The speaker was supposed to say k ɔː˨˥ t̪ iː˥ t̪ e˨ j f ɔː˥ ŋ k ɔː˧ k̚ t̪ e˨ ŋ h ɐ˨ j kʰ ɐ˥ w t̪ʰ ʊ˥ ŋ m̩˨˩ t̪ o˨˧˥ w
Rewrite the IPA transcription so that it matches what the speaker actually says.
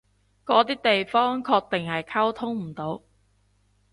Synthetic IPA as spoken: k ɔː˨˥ t̪ iː˥ t̪ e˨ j f ɔː˥ ŋ kʰ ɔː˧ k̚ t̪ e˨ ŋ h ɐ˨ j kʰ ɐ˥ w t̪ʰ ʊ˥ ŋ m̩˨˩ t̪ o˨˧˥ w